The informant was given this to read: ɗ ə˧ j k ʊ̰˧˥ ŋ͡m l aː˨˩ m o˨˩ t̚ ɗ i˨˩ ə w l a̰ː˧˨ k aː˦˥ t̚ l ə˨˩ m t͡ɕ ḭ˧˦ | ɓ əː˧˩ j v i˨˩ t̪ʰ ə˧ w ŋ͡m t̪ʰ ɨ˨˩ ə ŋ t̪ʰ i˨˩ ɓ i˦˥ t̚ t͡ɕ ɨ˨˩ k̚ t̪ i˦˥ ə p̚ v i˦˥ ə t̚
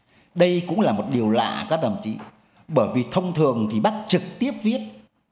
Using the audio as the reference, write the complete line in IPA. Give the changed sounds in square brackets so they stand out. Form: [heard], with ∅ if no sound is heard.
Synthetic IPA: ɗ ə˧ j k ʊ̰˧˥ ŋ͡m l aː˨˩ m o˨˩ t̚ ɗ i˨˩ ə w l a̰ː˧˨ k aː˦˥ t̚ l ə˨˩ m t͡ɕ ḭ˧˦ | ɓ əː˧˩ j v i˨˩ t̪ʰ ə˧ w ŋ͡m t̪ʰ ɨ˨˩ ə ŋ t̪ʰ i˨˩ ɓ [a˦˥] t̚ t͡ɕ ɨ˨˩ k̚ t̪ i˦˥ ə p̚ v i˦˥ ə t̚